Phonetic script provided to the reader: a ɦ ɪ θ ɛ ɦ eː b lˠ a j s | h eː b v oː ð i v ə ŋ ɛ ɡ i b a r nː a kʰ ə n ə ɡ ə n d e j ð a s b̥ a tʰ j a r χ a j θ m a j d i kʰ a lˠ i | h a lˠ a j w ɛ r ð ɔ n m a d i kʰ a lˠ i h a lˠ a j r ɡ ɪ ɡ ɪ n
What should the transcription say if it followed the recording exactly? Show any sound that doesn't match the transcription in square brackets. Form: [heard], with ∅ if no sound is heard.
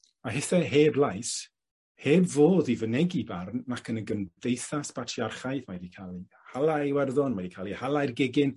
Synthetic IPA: a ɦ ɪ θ ɛ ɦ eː b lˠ a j s | h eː b v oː ð i v ə [n] ɛ ɡ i b a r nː a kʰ ə n ə ɡ ə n d e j [θ] a s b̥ a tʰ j a r χ a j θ m a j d i kʰ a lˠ i | h a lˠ a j w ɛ r ð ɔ n m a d i kʰ a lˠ i h a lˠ a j r ɡ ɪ ɡ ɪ n